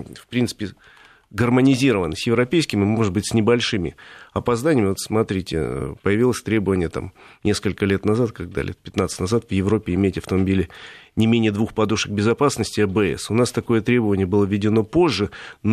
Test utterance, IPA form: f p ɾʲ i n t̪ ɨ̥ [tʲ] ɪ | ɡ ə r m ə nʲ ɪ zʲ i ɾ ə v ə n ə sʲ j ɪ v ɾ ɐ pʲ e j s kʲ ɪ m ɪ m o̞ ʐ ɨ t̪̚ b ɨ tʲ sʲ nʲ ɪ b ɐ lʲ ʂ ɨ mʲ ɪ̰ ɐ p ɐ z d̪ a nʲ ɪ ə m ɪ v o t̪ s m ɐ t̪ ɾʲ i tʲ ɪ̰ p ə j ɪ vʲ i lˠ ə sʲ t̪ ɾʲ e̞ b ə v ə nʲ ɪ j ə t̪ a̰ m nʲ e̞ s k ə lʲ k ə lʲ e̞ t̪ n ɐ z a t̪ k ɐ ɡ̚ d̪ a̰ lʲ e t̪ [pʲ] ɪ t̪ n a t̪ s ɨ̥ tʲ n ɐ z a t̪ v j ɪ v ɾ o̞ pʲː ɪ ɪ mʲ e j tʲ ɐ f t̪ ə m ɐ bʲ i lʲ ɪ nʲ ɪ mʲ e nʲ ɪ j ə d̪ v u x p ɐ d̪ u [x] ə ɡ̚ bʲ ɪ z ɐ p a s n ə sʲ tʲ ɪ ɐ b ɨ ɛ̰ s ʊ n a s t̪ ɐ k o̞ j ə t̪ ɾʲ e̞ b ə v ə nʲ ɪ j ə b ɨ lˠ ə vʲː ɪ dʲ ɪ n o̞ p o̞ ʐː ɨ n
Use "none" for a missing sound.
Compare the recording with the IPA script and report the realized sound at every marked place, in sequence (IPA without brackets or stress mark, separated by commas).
pʲ, pʲ, ʂ